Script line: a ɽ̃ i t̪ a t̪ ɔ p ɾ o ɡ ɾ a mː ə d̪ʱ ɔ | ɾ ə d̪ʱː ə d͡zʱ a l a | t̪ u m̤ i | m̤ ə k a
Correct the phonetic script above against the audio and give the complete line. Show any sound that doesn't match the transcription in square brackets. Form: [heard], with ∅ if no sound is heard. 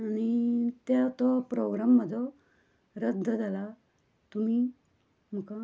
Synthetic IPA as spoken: a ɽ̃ i t̪ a t̪ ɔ p ɾ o ɡ ɾ a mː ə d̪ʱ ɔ | ɾ ə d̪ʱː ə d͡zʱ a l a | t̪ u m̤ i | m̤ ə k a